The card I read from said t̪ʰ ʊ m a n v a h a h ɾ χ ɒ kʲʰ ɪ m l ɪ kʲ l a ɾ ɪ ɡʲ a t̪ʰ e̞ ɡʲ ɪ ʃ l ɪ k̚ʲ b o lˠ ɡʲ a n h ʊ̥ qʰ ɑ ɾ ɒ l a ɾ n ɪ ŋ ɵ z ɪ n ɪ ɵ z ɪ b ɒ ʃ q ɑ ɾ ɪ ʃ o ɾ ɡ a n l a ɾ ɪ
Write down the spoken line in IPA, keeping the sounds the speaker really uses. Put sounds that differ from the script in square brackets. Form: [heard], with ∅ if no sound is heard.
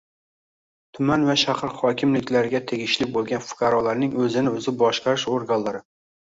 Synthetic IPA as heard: t̪ʰ ʊ m a n v a [ʃ] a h ɾ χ ɒ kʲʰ ɪ m l ɪ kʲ l a ɾ ɪ ɡʲ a t̪ʰ e̞ ɡʲ ɪ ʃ l ɪ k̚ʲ b o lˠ ɡʲ a n [f] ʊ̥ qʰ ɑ ɾ ɒ l a ɾ n ɪ ŋ ɵ z ɪ n ɪ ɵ z ɪ b ɒ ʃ q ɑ ɾ ɪ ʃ o ɾ ɡ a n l a ɾ ɪ